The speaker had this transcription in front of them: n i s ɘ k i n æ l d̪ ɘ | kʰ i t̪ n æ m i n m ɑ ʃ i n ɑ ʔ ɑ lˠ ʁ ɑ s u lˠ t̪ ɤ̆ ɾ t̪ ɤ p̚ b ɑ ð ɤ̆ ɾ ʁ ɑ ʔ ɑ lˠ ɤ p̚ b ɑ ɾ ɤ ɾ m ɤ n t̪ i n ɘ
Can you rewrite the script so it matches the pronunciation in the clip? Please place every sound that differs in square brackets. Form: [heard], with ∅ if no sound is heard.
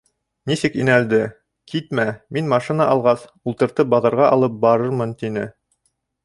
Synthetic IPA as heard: n i s ɘ k i n æ l d̪ ɘ | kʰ i t̪ [m] æ m i n m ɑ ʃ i n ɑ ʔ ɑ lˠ ʁ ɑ s u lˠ t̪ ɤ̆ ɾ t̪ ɤ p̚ b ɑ ð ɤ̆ ɾ ʁ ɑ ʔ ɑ lˠ ɤ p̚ b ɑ ɾ ɤ ɾ m ɤ n t̪ i n ɘ